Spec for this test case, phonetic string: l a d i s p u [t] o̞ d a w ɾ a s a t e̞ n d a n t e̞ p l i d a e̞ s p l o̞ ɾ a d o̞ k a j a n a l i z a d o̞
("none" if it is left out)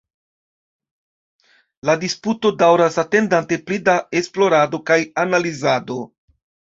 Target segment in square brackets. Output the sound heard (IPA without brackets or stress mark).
t